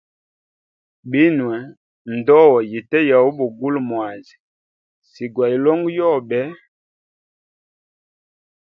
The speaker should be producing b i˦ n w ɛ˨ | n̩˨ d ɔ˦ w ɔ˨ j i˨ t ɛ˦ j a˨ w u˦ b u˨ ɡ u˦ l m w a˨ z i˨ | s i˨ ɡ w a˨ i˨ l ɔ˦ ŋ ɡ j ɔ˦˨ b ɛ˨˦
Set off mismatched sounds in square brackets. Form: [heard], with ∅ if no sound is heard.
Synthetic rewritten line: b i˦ n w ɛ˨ | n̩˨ d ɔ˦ w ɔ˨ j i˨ t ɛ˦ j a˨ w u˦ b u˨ ɡ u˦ l m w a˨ z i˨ | s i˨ ɡ w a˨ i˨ l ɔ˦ ŋ ɡ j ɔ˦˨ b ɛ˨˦